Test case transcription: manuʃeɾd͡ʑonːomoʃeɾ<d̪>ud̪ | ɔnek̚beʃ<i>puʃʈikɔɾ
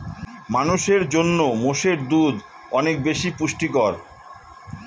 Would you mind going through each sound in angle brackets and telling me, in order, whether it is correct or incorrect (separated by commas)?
correct, correct